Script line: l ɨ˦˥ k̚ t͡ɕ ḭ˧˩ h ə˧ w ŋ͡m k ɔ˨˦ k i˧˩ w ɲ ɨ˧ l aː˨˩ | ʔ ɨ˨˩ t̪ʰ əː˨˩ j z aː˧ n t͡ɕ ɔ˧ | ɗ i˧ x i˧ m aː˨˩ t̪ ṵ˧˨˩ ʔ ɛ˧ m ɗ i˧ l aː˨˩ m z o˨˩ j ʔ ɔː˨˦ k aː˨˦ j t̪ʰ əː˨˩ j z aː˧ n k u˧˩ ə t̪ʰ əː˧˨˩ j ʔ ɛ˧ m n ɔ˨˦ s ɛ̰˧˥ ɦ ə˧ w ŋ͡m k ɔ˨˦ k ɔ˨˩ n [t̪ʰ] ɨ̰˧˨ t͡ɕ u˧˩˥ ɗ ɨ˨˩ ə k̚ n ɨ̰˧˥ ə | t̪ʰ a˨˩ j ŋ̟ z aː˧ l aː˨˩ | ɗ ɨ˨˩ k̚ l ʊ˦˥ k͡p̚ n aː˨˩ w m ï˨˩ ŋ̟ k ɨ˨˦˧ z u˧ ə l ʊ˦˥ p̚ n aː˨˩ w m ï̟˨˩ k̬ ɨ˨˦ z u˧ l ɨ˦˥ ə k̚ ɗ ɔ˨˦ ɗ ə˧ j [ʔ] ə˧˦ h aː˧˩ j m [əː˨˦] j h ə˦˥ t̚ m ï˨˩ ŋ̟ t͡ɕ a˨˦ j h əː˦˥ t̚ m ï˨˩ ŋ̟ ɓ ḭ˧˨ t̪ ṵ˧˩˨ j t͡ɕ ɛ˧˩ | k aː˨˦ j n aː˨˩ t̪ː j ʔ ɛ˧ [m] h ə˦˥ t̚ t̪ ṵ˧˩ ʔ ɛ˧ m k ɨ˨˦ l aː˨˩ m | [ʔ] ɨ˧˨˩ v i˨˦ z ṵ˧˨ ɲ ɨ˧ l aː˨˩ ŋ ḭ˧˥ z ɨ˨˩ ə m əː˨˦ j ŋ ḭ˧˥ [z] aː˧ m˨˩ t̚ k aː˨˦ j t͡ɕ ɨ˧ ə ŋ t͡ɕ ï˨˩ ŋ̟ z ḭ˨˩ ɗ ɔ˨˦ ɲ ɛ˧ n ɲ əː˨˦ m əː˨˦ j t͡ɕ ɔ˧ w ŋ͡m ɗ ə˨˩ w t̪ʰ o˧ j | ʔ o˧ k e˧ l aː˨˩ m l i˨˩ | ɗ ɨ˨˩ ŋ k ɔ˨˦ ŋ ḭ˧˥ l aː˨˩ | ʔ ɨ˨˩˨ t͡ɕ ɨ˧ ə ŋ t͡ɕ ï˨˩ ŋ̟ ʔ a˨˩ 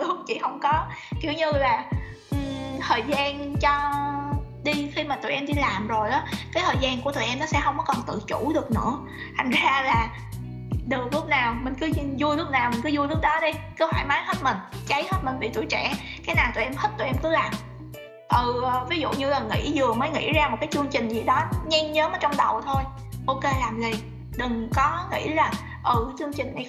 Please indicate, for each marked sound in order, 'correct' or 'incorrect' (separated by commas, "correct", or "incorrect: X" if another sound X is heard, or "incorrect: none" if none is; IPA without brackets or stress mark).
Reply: incorrect: t̪, incorrect: k, incorrect: aː˨˦, correct, correct, correct